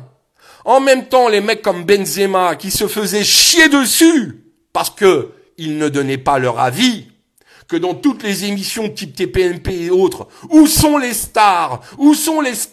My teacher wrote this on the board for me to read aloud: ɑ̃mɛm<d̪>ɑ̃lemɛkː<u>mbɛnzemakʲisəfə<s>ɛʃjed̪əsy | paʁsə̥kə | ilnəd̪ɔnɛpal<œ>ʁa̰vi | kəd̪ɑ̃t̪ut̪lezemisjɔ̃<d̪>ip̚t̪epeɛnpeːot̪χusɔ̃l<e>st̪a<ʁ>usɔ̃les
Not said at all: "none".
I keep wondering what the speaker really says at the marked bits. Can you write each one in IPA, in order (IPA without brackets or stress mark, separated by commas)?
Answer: t̪, ɔ, z, œ, t̪, e, ʁ